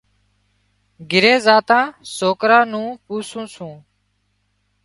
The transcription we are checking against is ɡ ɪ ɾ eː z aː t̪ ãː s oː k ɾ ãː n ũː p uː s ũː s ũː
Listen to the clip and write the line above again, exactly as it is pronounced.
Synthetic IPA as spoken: ɡ ɪ ɾ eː z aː t̪ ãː s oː k ɾ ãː n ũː p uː s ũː s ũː